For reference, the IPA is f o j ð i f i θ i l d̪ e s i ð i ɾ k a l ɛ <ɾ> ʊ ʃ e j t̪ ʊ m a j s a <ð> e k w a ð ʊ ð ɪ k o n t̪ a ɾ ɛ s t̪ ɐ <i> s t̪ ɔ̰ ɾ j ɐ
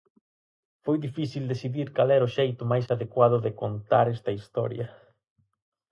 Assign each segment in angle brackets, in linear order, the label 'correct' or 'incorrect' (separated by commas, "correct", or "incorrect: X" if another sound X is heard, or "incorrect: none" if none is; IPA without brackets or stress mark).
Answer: correct, correct, correct